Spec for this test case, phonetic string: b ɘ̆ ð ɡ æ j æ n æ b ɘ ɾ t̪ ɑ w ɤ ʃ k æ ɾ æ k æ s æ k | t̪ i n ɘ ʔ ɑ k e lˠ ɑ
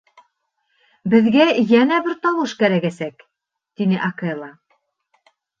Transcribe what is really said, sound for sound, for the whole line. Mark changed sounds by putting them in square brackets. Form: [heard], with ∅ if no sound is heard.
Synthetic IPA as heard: b ɘ̆ ð ɡ æ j æ n æ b ɘ ɾ t̪ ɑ w ɤ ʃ k æ ɾ æ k æ s æ k | t̪ i n ɘ ʔ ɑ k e lˠ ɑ